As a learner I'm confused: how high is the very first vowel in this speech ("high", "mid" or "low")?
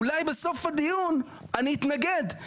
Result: low